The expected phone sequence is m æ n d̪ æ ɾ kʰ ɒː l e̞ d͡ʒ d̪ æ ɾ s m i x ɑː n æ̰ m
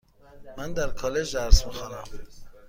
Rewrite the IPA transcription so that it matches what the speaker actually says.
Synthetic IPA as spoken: m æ n d̪ æ ɾ kʰ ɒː l e̞ d͡ʒ d̪ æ ɾ s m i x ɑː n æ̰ m